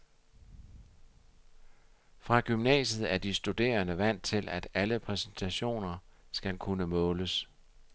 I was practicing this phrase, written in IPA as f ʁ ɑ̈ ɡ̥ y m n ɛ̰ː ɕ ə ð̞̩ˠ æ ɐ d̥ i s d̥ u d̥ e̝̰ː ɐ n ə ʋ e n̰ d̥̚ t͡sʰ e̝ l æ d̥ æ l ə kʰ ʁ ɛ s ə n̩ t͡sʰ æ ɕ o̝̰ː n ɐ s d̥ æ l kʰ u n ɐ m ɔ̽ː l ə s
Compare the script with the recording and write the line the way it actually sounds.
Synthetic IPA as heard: f ʁ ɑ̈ ɡ̥ y m n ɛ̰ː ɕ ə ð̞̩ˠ æ ɐ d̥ i s d̥ u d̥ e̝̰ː ɐ n ə ʋ æ n̰ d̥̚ t͡sʰ e̝ l æ d̥ æ l ə pʰ ʁ ɛ s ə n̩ t͡sʰ æ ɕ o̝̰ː n ɐ s ɡ̥ æ l kʰ u n ə m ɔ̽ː l ə s

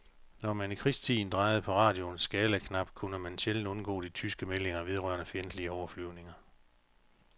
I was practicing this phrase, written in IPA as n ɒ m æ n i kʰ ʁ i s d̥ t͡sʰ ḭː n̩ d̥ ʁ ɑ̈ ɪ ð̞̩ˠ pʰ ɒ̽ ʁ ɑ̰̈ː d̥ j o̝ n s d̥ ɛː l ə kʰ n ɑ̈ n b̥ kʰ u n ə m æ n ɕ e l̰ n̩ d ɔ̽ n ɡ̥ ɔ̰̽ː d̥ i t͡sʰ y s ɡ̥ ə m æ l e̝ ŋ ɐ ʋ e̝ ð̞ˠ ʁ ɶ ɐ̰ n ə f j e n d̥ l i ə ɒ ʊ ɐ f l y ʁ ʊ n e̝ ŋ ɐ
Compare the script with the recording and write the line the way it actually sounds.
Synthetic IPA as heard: n ɒ m æ n i kʰ ʁ i s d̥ t͡sʰ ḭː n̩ d̥ ʁ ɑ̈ ɪ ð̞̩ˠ pʰ ɒ̽ ʁ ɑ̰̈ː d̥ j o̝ n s ɡ̥ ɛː l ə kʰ n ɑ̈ b̥ kʰ u n ə m æ n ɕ e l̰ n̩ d ɔ̽ n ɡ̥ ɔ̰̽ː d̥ i t͡sʰ y s ɡ̥ ə m e l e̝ ŋ ɐ ʋ e̝ ð̞ˠ ʁ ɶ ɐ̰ n ə f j e n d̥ l i ə ɒ ʊ ɐ f l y ʊ n e̝ ŋ ɐ

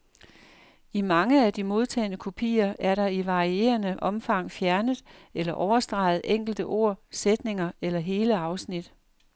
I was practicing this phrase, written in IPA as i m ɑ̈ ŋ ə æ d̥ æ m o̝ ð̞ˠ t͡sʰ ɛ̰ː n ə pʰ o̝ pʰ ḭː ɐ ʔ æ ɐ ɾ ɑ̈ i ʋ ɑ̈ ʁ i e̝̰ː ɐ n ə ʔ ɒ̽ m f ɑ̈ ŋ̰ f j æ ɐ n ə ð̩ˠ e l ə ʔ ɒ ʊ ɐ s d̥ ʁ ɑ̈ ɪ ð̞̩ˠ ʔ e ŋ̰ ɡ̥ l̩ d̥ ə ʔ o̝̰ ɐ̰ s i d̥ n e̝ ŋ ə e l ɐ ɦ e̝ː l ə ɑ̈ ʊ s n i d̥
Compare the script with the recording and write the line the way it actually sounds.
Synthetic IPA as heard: i m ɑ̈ ŋ ə æ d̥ i m o̝ ð̞ˠ t͡sʰ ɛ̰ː n ə kʰ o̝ pʰ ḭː ɐ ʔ æ ɐ ɾ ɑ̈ i ʋ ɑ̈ ʁ i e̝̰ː ɐ n ə ʔ ɒ̽ m f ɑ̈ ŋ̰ f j æ ɐ n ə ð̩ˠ e l ɐ ʔ ɒ ʊ ɐ s d̥ ʁ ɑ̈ ɪ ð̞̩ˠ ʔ e ŋ̰ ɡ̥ l̩ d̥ ə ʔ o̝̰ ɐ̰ s e d̥ n e̝ ŋ ɐ e l ɐ ɦ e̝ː l ə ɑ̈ ʊ s n i d̥

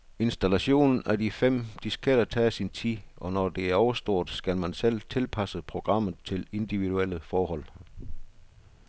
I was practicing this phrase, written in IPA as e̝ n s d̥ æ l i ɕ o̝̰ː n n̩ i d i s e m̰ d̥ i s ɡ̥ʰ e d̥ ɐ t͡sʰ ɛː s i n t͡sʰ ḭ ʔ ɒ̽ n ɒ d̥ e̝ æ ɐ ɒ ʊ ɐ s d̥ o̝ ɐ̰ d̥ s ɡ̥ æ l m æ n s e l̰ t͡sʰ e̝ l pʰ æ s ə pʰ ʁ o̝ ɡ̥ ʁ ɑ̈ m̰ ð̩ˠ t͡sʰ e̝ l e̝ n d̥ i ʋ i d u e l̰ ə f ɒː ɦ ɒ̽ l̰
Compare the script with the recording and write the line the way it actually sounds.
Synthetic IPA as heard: e̝ n s d̥ æ l æ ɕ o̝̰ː n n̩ æ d i f e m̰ d̥ i s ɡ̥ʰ e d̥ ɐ t͡sʰ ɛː s i n t͡sʰ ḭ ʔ ɒ̽ n ɒ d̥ e̝ æ ɐ ɒ ʊ ɐ s d̥ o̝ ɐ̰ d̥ s ɡ̥ æ l m æ n s e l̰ t͡sʰ e̝ l pʰ æ s ə pʰ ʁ o̝ ɡ̥ ʁ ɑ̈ m̰ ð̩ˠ t͡sʰ e̝ l e̝ n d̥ i ʋ i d u e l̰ ə f ɒː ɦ ɒ̽ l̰

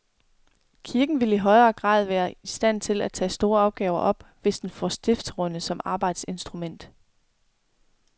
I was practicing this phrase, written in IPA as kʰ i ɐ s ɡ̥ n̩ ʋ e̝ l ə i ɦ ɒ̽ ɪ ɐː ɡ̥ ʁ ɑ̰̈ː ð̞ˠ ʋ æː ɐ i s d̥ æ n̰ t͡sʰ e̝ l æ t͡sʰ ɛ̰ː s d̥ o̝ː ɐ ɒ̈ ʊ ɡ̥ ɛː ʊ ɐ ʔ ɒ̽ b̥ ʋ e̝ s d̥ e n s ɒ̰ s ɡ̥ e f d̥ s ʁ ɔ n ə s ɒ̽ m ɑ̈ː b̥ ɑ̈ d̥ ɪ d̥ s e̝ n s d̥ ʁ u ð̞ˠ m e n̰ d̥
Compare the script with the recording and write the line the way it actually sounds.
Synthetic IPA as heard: kʰ i ɐ ɡ̥ n̩ ʋ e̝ l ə i ɦ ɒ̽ ɪ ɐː ɡ̥ ʁ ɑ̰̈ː ð̞ˠ ʋ æː ɐ i s d̥ æ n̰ t͡sʰ e̝ l æ t͡sʰ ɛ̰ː s d̥ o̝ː ɐ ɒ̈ ʊ ɡ̥ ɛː ʊ ɐ ʔ ɒ̽ b̥ ʋ e̝ s d̥ e n f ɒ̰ s d̥ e f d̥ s ʁ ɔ n ə s ɒ̽ m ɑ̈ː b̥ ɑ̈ ɪ d̥ s e̝ n s d̥ ʁ u m e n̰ d̥

